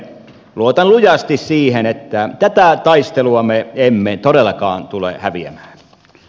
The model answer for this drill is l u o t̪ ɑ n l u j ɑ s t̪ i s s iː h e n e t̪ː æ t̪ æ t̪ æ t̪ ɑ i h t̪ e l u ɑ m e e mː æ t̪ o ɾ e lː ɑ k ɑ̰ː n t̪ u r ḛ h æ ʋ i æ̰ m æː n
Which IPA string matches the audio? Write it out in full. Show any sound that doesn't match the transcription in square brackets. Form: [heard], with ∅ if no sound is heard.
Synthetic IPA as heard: l u o t̪ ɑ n l u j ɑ s t̪ i s s iː h e n e t̪ː æ t̪ æ t̪ æ t̪ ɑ i [s] t̪ e l u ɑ m e e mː [e] t̪ o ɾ e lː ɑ k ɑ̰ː n t̪ u [l] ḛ h æ ʋ i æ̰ m æː n